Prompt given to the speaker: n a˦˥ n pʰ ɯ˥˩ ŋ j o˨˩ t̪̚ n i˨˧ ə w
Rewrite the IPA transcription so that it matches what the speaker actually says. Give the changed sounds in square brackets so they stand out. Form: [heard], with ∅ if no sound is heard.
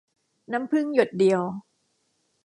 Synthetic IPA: n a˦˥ [m] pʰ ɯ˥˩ ŋ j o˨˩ t̪̚ [d] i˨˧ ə w